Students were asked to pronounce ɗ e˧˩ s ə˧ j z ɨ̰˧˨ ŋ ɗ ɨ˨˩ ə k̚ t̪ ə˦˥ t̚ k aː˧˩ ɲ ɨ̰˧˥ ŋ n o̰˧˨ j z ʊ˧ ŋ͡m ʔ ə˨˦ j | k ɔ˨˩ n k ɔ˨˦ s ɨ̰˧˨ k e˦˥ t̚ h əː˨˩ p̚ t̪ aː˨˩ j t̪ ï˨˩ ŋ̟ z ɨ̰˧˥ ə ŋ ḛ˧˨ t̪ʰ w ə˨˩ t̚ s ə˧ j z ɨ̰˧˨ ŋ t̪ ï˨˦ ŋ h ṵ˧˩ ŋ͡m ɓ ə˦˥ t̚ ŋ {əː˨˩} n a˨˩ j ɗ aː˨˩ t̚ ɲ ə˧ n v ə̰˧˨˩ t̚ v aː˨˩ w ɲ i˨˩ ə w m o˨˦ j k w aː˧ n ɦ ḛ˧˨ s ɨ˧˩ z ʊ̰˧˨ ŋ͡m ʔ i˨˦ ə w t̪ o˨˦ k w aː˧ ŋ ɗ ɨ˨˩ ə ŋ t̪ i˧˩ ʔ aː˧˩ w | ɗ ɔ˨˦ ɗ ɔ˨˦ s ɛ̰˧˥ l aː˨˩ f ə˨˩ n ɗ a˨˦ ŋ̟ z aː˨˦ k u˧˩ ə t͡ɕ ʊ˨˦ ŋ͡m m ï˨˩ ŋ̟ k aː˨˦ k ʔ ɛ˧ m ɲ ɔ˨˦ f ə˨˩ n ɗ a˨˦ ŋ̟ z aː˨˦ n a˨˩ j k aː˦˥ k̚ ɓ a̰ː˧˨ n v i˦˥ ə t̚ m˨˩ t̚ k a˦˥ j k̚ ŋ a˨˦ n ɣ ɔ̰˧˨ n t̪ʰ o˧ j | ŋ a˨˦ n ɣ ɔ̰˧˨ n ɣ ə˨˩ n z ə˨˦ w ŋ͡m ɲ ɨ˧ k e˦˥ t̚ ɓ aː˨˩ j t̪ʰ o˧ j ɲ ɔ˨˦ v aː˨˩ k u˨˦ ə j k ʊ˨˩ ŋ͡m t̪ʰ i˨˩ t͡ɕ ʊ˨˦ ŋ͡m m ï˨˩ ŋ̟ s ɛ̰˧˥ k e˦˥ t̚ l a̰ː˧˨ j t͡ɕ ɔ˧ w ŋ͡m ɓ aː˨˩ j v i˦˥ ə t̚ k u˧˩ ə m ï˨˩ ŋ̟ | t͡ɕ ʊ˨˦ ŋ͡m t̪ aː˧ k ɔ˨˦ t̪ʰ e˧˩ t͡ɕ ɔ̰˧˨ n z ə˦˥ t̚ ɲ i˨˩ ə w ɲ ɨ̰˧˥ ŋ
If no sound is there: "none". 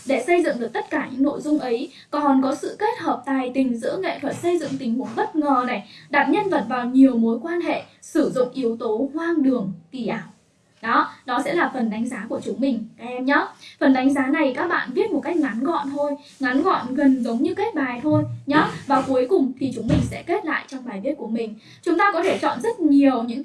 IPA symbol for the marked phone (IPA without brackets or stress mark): əː˨˩